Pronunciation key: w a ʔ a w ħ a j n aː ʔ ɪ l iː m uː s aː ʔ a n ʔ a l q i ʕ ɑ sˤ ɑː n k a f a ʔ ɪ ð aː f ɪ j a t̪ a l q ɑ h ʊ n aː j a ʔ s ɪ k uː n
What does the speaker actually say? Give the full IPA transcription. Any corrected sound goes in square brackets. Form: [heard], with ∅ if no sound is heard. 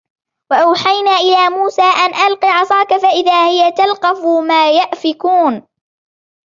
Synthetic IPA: w a ʔ a w ħ a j n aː ʔ ɪ l [aː] m uː s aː ʔ a n ʔ a l q i ʕ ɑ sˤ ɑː [∅] k a f a ʔ ɪ ð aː [h] ɪ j a t̪ a l q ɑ [f] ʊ [m] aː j a ʔ [f] ɪ k uː n

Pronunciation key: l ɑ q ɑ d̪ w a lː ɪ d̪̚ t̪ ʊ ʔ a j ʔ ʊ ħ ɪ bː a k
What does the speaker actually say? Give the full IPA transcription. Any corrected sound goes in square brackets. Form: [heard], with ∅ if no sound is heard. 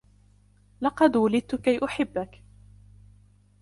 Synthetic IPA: l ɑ q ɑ d̪ w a [l] ɪ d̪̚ t̪ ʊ [k] a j ʔ ʊ ħ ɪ bː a k

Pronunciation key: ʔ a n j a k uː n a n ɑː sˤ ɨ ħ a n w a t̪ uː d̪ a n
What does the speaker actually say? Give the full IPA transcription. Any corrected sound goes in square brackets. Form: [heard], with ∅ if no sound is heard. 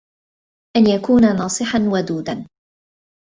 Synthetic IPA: ʔ a n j a k uː n a n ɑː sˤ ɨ ħ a n w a [d̪] uː d̪ a n

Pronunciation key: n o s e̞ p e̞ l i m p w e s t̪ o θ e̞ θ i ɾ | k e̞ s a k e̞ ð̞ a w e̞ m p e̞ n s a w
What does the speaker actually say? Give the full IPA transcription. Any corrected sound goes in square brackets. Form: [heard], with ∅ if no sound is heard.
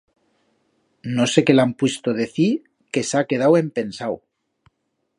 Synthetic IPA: n o s e̞ [k] e̞ l [a] m p w e s t̪ o [ð] e̞ θ i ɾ | k e̞ s a k e̞ ð̞ a w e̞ m p e̞ n s a w

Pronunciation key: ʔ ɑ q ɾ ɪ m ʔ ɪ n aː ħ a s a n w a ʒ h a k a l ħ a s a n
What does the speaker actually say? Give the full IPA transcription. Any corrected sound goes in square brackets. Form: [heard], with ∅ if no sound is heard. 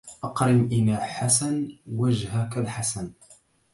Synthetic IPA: ʔ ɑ q ɾ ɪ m ʔ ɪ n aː ħ a s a n w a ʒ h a k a l ħ a s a n

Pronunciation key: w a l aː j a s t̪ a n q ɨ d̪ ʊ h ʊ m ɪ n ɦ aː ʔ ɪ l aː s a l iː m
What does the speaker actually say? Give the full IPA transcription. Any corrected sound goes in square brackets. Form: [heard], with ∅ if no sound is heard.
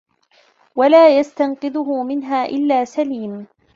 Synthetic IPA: w a l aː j a s t̪ a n q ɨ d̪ ʊ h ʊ m ɪ n ɦ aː ʔ ɪ [lː] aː s a l iː m

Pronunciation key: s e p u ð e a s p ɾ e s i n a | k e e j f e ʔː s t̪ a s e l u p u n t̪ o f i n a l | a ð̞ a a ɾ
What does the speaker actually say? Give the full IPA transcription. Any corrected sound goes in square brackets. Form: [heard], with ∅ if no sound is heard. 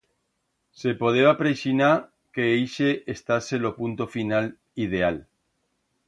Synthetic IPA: s e p [o] ð e a [∅] p ɾ e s i n a | k e e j [ʃ] e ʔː s t̪ a s e l [o] p u n t̪ o f i n a l | [i] ð̞ [e] a [l]

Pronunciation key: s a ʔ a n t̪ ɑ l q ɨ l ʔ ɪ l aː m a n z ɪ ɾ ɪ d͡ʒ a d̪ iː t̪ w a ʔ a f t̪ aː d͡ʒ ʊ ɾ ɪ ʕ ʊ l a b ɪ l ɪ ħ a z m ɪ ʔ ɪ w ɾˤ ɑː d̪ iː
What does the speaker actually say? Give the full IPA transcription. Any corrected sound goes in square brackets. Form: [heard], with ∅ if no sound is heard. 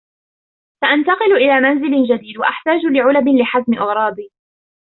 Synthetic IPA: s a ʔ a n t̪ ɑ [∅] q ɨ l ʔ ɪ l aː m a n z ɪ [l] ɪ d͡ʒ a d̪ iː [d̪] w a ʔ a [ħ] t̪ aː d͡ʒ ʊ [l] ɪ ʕ ʊ l a b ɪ l ɪ ħ a z m ɪ ʔ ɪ [ɣ] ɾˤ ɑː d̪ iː

